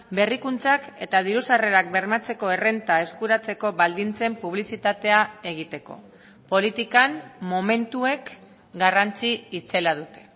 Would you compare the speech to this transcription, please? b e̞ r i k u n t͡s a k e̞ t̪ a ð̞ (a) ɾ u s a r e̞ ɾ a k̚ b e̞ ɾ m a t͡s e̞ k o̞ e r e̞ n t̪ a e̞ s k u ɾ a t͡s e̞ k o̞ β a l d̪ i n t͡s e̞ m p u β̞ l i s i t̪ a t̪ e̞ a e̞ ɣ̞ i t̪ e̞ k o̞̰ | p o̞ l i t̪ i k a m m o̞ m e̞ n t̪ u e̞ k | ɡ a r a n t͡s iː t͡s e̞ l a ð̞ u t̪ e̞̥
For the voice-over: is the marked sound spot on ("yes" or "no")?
no